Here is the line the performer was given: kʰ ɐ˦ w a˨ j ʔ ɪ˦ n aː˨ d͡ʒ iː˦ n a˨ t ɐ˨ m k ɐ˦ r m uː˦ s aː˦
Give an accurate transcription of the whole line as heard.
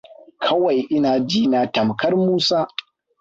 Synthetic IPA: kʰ ɐ˦ w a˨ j ʔ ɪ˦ n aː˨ d͡ʒ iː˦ n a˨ t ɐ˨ m k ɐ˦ r m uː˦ s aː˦